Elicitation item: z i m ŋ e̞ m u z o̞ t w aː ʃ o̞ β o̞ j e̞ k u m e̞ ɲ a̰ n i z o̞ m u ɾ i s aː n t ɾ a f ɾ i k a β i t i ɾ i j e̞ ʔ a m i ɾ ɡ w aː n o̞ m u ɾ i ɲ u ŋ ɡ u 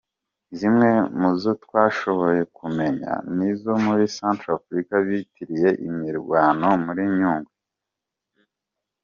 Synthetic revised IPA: z i m ŋ e̞ m u z o̞ t w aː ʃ o̞ β o̞ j e̞ k u m e̞ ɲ a̰ n i z o̞ m u ɾ i s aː n t ɾ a f ɾ i k a β i t i ɾ i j e̞ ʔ i m i ɾ ɡ w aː n o̞ m u ɾ i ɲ uː ŋ ɡ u